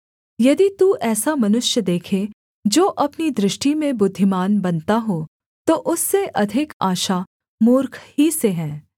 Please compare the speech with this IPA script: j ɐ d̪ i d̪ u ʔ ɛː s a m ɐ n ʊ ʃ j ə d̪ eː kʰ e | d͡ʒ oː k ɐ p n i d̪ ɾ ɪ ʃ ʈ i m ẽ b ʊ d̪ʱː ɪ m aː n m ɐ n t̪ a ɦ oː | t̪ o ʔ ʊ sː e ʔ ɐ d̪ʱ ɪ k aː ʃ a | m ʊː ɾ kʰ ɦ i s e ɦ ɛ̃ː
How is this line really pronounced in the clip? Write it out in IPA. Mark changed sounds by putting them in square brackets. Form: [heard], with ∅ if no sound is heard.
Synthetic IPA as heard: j ɐ d̪ i [t̪] u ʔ ɛː s a m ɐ n ʊ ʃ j ə d̪ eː kʰ e | d͡ʒ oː [ʔ] ɐ p n i d̪ ɾ ɪ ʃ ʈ i m ẽ b ʊ d̪ʱː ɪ m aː n [b] ɐ n t̪ a ɦ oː | t̪ o ʔ ʊ sː e ʔ ɐ d̪ʱ ɪ k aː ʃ a | m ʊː ɾ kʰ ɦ i s e ɦ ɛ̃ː